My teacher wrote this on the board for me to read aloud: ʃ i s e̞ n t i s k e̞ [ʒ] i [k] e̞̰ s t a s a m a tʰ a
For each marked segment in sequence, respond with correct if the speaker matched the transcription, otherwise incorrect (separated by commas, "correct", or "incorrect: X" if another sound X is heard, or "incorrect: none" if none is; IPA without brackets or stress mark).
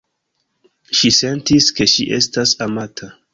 incorrect: ʃ, incorrect: ʔ